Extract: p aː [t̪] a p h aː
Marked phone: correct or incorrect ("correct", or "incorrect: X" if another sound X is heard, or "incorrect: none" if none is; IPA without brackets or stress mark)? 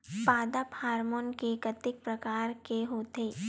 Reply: incorrect: d̪